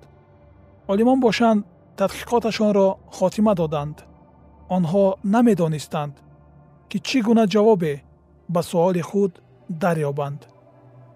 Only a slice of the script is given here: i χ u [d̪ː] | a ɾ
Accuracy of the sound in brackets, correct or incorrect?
correct